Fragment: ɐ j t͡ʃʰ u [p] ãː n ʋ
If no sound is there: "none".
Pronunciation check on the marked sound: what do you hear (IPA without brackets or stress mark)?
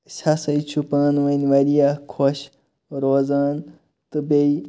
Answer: p